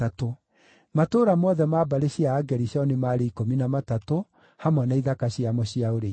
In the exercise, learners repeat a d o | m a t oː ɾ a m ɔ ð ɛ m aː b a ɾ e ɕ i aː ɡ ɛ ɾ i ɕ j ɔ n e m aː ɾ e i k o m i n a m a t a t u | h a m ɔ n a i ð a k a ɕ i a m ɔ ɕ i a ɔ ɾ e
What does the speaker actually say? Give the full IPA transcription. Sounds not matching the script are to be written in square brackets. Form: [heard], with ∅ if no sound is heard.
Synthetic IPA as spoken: a [t] o | m a t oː ɾ a m ɔ ð ɛ m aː b a ɾ e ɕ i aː ɡ ɛ ɾ i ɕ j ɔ n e m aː ɾ e i k o m i n a m a t a t [o] | h a m ɔ n a i ð a k a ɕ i a m ɔ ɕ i a [o] ɾ e